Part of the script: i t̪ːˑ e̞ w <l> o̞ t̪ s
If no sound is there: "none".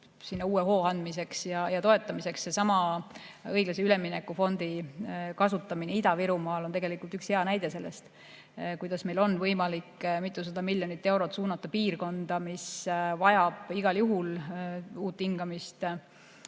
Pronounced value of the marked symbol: ɾ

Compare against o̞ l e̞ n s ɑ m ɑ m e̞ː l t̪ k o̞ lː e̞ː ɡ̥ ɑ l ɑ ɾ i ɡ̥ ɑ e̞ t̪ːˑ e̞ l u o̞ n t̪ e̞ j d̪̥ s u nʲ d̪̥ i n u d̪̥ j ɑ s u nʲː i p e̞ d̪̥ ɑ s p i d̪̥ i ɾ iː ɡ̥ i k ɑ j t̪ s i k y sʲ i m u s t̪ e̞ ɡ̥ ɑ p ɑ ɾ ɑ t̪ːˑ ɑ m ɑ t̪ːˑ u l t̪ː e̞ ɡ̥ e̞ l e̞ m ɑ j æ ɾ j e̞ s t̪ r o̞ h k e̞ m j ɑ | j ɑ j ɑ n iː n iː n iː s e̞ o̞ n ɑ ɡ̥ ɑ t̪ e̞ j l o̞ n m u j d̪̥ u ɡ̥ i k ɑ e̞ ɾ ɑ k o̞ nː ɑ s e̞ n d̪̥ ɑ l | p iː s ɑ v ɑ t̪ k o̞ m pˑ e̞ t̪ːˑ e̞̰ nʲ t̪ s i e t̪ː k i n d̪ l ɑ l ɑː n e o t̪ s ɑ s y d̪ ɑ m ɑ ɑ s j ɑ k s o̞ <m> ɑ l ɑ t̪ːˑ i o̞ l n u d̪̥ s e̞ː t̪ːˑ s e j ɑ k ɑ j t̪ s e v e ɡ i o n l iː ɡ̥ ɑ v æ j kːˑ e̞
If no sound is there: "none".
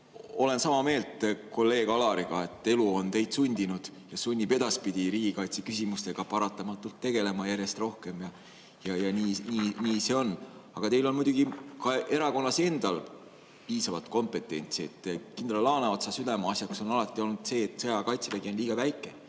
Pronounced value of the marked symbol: n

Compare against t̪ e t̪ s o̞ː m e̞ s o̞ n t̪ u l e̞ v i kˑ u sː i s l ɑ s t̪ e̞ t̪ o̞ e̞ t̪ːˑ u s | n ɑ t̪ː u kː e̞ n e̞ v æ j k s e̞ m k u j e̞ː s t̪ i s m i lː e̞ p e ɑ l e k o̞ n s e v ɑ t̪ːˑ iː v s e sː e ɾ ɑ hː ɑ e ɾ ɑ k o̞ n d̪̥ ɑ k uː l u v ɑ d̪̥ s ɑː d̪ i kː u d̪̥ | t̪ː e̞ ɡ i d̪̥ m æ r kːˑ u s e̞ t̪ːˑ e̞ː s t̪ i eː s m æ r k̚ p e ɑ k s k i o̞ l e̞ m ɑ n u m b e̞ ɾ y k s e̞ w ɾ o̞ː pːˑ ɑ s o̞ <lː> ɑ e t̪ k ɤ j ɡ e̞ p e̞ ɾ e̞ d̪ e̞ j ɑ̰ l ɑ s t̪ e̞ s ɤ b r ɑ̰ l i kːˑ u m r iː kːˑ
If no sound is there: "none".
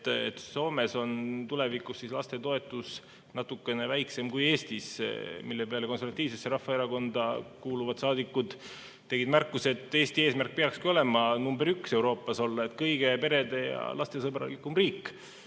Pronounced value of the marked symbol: lː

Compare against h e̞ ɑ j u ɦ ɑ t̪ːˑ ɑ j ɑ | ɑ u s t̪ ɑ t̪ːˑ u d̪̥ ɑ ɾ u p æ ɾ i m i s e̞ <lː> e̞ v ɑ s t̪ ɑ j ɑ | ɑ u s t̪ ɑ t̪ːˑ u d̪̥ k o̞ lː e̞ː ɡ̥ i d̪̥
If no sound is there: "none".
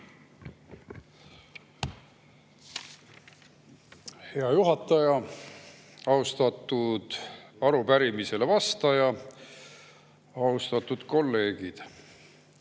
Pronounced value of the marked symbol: l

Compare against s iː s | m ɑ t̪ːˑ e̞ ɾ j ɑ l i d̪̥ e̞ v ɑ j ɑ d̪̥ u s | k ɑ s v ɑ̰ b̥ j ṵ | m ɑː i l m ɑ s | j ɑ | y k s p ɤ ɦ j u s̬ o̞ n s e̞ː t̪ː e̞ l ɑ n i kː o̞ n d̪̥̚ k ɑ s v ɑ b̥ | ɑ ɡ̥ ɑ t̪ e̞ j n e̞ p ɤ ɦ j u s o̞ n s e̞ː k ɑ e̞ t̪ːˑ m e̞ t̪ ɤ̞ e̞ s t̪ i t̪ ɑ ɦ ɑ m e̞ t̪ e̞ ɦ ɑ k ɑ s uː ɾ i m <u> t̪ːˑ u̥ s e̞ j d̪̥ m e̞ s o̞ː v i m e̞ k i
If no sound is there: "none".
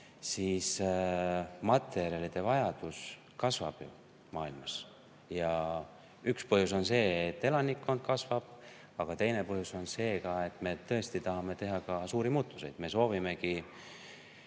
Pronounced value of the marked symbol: uː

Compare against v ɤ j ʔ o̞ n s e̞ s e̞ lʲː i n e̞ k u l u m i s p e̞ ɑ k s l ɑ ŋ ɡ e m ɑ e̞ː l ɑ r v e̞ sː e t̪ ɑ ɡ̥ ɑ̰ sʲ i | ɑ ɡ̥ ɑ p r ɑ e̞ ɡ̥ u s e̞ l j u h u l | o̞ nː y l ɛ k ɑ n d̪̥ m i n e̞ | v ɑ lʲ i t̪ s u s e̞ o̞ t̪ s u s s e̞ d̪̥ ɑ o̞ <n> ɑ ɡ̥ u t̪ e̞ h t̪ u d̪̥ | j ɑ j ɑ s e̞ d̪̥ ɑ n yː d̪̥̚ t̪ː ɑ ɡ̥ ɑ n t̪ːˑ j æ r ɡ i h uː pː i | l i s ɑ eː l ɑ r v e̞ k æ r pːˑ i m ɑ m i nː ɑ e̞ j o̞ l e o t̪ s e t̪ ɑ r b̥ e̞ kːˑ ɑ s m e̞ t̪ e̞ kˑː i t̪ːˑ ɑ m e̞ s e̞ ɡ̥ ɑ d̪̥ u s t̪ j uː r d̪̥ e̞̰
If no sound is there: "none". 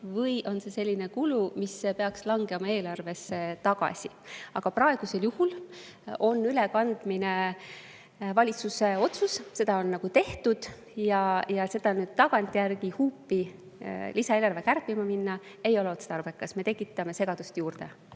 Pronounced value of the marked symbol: nː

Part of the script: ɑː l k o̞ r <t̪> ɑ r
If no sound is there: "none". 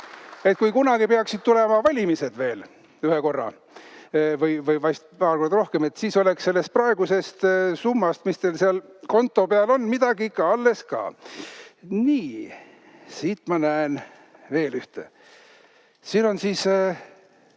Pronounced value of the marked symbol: d̪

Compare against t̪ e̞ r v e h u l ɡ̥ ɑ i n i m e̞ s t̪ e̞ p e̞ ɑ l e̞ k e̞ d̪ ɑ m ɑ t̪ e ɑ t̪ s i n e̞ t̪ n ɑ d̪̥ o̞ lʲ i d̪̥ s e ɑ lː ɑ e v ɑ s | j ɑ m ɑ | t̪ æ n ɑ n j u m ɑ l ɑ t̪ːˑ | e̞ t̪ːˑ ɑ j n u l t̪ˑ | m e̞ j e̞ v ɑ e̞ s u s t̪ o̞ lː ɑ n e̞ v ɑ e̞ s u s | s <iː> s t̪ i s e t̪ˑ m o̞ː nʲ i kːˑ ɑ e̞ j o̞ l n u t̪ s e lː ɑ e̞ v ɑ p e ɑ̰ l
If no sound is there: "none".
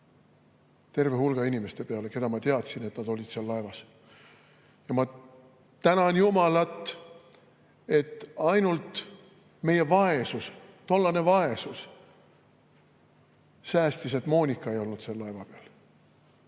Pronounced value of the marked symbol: æː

